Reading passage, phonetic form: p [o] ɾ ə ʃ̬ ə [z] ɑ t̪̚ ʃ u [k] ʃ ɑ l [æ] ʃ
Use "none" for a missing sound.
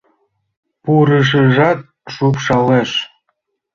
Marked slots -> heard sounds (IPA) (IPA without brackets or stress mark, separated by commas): u, ʒ, p, e